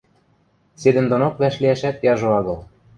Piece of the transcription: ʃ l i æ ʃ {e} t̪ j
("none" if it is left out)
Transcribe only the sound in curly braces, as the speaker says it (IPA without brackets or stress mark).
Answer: æ